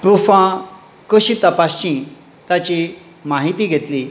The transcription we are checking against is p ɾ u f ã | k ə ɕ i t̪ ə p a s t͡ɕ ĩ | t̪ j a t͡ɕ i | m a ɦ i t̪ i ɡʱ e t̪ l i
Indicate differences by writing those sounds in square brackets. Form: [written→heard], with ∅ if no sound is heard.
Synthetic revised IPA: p ɾ u f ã | k ə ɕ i t̪ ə p a s t͡ɕ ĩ | t̪ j a t͡ɕ i | m a ɦ i t̪ i ɡʱ e t̪ l i